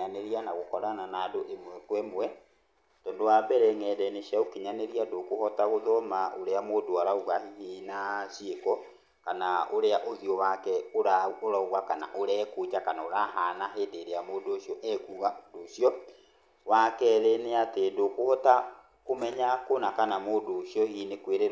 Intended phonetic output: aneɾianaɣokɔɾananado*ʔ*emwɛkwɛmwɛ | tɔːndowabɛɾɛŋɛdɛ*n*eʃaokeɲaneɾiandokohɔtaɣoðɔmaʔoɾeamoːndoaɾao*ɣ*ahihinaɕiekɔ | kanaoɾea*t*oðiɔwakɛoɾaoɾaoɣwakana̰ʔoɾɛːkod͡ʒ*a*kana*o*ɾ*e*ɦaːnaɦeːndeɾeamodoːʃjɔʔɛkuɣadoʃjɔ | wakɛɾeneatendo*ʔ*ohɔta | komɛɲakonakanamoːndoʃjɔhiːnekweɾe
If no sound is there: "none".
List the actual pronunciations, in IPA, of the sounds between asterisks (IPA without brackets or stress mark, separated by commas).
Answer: ʔ, n, ɣ, ʔ, a, o, a, k